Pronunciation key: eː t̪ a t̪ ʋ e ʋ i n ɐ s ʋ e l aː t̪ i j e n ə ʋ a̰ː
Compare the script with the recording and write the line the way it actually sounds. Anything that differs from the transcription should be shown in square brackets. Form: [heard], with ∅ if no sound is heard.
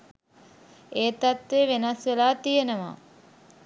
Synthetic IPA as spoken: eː t̪ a t̪ ʋ e ʋ [e] n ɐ s ʋ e l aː t̪ i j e n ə ʋ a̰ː